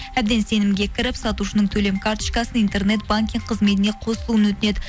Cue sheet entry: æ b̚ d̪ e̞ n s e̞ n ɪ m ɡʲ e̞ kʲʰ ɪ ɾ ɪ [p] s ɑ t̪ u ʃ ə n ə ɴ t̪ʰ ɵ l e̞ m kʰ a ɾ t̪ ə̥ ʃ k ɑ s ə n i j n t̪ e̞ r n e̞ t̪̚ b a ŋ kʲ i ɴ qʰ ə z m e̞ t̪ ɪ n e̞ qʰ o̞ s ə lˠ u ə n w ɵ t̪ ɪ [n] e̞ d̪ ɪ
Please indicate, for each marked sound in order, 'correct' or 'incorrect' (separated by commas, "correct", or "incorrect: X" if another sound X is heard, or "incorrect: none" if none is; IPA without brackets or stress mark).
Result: correct, correct